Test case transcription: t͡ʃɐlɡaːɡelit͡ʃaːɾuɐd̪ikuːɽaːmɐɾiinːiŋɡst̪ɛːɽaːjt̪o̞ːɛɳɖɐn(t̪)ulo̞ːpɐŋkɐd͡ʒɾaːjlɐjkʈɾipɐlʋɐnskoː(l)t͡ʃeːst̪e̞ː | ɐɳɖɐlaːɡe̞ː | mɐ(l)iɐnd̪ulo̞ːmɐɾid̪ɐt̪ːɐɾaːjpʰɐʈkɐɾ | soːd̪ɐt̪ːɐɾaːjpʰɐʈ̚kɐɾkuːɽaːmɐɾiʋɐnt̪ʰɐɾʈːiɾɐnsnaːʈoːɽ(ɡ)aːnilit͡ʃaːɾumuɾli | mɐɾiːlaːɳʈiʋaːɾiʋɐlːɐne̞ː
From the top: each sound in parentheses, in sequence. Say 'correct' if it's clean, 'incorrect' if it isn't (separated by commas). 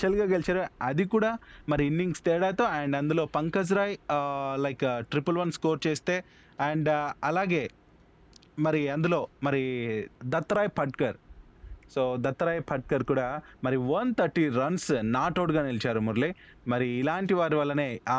incorrect, incorrect, incorrect, correct